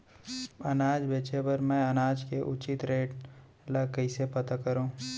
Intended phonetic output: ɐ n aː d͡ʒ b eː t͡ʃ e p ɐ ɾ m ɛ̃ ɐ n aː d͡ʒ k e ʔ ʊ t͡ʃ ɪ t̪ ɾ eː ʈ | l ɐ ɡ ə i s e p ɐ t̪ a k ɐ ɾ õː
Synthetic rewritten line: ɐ n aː d͡ʒ b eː t͡ʃ e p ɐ ɾ m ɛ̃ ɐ n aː d͡ʒ k e ʔ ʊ t͡ʃ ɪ t̪ ɾ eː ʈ | l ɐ k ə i s e p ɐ t̪ a k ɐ ɾ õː